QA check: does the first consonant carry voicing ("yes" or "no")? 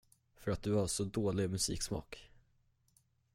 no